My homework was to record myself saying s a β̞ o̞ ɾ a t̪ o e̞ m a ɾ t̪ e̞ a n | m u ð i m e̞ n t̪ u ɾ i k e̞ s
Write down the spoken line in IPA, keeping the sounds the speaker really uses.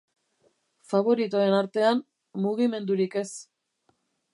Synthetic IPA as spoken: f a β̞ o̞ ɾ i t̪ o e̞ n a ɾ t̪ e̞ a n | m u ɣ i m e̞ n d̪ u ɾ i k e̞ s